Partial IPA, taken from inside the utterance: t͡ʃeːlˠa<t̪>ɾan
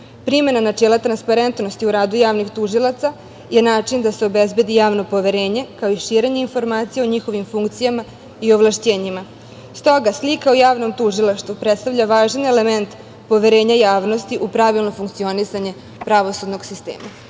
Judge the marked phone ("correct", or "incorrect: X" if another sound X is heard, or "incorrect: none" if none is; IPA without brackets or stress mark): correct